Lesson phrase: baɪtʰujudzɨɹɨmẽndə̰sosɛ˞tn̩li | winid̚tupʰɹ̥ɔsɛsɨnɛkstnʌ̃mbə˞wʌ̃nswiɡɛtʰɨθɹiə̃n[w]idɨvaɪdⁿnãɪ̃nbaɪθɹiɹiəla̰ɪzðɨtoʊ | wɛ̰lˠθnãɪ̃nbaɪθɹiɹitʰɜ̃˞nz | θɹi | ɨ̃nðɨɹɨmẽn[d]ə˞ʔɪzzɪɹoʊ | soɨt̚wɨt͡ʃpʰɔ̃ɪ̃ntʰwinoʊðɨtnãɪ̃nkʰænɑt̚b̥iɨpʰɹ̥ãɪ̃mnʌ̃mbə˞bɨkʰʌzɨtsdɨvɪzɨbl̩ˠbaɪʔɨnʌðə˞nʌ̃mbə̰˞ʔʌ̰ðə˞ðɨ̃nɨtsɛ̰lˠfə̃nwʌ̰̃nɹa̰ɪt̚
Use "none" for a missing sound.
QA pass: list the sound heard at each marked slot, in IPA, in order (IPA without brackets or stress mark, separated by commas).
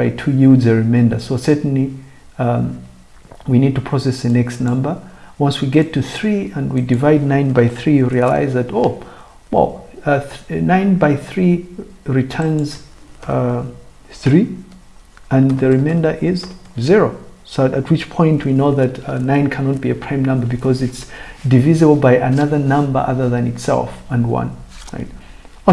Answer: w, d